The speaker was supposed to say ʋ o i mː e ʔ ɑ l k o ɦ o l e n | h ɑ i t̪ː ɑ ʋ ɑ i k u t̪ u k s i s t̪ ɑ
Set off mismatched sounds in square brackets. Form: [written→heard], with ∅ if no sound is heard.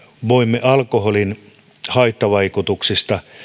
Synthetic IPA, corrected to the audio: ʋ o i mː e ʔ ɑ l k o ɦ o l [e→i] n | h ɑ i t̪ː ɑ ʋ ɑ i k u t̪ u k s i s t̪ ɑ

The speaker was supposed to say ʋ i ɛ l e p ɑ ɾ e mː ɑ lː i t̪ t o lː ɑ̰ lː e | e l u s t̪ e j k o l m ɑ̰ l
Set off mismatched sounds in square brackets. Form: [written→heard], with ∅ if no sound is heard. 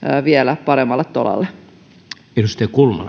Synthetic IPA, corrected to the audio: ʋ i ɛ l [e→æ] p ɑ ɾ e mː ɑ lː [i→e] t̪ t o [lː→l] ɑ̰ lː e | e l u s t̪ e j k [o→u] l m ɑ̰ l

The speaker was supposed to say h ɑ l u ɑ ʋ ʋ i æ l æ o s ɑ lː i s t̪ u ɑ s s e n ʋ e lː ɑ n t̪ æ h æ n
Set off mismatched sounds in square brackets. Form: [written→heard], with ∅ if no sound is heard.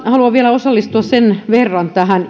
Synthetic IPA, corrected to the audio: h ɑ l u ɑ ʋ ʋ i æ l æ o s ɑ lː i s t̪ u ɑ s s e n ʋ e [lː→rː] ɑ n t̪ æ h æ n

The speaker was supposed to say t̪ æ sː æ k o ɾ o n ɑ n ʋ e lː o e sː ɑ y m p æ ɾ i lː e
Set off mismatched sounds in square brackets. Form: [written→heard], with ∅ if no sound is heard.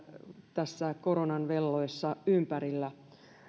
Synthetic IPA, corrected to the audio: t̪ æ sː æ k o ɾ o n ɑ n ʋ e lː o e sː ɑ y m p æ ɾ i lː [e→æ]

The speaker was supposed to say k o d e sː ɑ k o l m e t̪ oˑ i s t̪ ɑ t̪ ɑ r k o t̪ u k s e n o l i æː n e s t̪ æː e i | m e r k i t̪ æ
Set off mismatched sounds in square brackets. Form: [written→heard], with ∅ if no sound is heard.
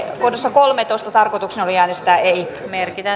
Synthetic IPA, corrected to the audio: k o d e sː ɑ k o l m e t̪ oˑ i s t̪ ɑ t̪ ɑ r k o t̪ u k s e n o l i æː n e s t̪ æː e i | m e r k i t̪ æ

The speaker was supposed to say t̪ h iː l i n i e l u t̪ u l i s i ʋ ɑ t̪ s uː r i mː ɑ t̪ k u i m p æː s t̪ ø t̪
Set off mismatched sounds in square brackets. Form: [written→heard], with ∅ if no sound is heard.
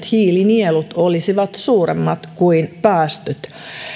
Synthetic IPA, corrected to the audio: t̪ h iː l i n i e l u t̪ [u→o] l i s i ʋ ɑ t̪ s uː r [i→e] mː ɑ t̪ k u i [m→n] p æː s t̪ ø t̪

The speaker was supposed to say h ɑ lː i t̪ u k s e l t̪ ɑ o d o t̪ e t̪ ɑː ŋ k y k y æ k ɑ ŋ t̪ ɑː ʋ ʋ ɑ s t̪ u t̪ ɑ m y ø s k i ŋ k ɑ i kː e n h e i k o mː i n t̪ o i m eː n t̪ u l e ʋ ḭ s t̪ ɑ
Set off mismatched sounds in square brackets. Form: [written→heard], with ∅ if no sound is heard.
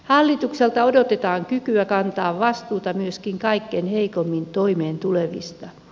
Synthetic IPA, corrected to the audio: h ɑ lː i t̪ u k s e l t̪ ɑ o d o t̪ e t̪ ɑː ŋ k y k y æ k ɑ [ŋ→n] t̪ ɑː ʋ ʋ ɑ s t̪ [u→uː] t̪ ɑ m y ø s k i ŋ k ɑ i kː e n h e i k o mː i n t̪ o i m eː n t̪ u l e ʋ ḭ s t̪ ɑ

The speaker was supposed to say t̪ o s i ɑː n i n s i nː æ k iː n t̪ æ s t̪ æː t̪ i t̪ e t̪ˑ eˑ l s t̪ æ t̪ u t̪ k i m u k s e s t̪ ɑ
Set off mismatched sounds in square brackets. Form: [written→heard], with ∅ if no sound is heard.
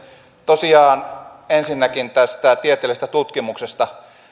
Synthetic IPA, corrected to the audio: t̪ o s i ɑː n [i→e] n s i nː æ k [iː→i] n t̪ æ s t̪ [æː→æ] t̪ i [t̪→∅] e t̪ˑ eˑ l s t̪ æ t̪ u t̪ k i m u k s e s t̪ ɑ

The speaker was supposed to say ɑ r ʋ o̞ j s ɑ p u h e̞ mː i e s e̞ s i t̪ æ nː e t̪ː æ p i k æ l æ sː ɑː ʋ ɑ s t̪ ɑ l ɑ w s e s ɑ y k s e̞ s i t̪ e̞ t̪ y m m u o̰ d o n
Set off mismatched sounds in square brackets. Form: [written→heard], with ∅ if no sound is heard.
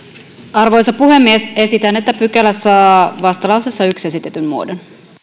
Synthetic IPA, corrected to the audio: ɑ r ʋ o̞ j s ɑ p u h e̞ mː i e s e̞ s i t̪ æ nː e t̪ː æ p [i→y] k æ l æ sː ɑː ʋ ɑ s t̪ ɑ l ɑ w s e [s→sː] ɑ y k s e̞ s i t̪ e̞ t̪ y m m u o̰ d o n

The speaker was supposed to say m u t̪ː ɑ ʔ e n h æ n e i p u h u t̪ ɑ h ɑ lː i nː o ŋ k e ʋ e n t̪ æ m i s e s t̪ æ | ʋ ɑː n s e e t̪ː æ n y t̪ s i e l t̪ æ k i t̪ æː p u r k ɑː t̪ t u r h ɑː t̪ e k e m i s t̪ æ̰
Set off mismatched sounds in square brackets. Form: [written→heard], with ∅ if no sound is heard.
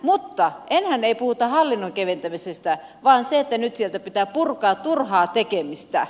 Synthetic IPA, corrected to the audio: m u t̪ː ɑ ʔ e n h æ n e i p u h u t̪ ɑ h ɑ lː i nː o ŋ k e ʋ e n t̪ æ m i s e s t̪ æ | ʋ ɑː n s e e t̪ː æ n y t̪ s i e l t̪ æ [k→p] i t̪ æː p u r k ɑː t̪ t u r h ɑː t̪ e k e m i s t̪ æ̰

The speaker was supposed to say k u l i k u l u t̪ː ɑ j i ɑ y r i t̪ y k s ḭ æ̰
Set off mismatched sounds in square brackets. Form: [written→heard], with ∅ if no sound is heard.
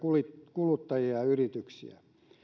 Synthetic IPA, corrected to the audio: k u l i k u l u t̪ː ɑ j i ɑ y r i t̪ y k s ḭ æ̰

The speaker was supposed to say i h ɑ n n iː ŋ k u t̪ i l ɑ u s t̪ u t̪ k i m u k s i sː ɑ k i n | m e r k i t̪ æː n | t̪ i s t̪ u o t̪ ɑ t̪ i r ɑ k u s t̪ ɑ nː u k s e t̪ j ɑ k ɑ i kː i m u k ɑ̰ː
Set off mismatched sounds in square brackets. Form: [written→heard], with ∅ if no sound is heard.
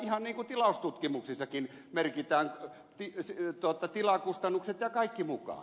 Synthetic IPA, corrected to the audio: i h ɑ n n iː ŋ k u t̪ i l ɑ u s t̪ u t̪ k i m u k s i sː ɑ k i n | m e r k i t̪ æː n | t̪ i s t̪ u o t̪ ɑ t̪ i [r→l] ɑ k u s t̪ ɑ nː u k s e t̪ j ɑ k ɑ i kː i m u k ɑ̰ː

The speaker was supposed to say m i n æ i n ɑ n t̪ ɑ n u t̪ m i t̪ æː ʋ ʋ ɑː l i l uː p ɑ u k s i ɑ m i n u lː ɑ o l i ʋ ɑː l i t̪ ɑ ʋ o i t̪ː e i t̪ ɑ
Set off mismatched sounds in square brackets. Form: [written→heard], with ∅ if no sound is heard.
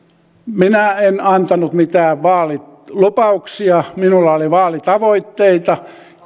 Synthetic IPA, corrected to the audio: m i n æ [i→e] n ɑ n t̪ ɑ n u t̪ m i t̪ æː ʋ ʋ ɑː l i l [uː→u] p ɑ u k s i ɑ m i n u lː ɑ o l i ʋ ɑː l i t̪ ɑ ʋ o i t̪ː e i t̪ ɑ

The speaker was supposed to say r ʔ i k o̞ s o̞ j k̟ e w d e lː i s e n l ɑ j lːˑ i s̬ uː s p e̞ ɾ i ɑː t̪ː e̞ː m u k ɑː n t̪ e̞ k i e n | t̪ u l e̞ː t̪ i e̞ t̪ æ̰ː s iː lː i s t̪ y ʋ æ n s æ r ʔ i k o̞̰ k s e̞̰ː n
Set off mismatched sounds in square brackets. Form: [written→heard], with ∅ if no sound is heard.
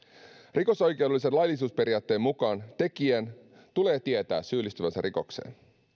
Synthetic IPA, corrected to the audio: r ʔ i k o̞ s o̞ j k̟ e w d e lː i s e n l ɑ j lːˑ i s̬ uː s p e̞ ɾ i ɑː t̪ː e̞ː m u k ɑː n t̪ e̞ k i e n | t̪ u l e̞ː t̪ i e̞ t̪ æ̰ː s [iː→yː] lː i s t̪ y ʋ æ n s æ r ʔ i k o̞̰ k s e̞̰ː n

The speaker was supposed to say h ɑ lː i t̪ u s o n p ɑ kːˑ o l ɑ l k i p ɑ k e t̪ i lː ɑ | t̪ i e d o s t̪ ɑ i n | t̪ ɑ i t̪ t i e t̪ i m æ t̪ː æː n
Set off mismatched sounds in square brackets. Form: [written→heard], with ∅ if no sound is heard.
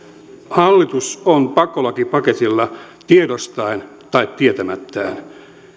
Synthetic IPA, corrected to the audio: h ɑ lː i t̪ u s o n p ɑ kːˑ o l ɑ [l→∅] k i p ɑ k e t̪ i lː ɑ | t̪ i e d o s t̪ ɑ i n | t̪ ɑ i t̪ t i e t̪ [i→æ] m æ t̪ː æː n

